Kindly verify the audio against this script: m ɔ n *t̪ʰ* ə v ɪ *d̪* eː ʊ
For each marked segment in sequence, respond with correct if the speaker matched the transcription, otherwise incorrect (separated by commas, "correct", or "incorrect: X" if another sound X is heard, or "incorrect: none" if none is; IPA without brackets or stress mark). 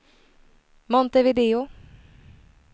incorrect: t̪, correct